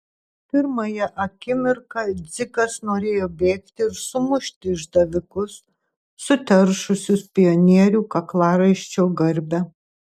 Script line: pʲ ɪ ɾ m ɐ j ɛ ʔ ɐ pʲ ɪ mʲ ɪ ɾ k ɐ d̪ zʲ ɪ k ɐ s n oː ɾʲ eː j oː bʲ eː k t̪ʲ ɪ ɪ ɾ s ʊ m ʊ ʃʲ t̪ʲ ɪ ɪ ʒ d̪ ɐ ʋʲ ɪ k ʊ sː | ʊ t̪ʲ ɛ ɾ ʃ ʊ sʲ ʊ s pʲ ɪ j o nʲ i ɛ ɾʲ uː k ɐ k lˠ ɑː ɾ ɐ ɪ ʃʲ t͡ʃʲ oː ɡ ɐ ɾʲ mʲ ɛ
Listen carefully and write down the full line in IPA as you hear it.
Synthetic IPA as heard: pʲ ɪ ɾ m ɐ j ɛ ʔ ɐ kʲ ɪ mʲ ɪ ɾ k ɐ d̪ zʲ ɪ k ɐ s n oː ɾʲ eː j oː bʲ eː k t̪ʲ ɪ ɪ ɾ s ʊ m ʊ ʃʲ t̪ʲ ɪ ɪ ʒ d̪ ɐ ʋʲ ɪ k ʊ sː | ʊ t̪ʲ ɛ ɾ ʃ ʊ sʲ ʊ s pʲ ɪ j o nʲ i ɛ ɾʲ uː k ɐ k lˠ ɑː ɾ ɐ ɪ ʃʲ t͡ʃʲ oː ɡ ɐ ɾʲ bʲ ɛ